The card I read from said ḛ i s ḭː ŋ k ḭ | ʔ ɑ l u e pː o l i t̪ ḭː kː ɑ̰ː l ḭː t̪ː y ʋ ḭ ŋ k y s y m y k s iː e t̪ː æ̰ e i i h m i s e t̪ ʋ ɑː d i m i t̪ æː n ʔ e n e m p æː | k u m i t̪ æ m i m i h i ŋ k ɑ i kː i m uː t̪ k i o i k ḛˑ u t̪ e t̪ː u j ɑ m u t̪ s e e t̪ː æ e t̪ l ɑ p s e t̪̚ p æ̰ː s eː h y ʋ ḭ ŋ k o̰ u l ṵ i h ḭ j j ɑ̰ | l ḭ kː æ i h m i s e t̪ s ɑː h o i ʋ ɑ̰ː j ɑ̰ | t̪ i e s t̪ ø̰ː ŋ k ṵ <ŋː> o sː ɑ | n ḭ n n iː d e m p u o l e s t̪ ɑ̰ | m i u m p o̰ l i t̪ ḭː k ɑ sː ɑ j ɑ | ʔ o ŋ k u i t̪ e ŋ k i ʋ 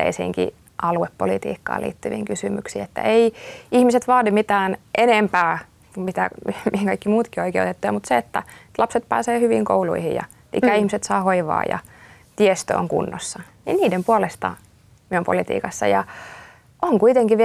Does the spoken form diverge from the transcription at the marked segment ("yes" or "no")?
yes